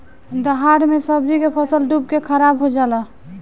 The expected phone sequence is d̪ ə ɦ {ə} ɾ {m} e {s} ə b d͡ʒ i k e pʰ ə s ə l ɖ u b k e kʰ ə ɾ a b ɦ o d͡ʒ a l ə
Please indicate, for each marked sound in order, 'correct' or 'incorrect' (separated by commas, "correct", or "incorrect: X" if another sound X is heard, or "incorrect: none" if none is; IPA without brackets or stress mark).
incorrect: a, correct, correct